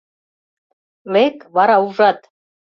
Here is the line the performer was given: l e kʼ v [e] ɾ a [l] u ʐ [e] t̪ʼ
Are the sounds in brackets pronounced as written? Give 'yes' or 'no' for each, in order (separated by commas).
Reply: no, no, no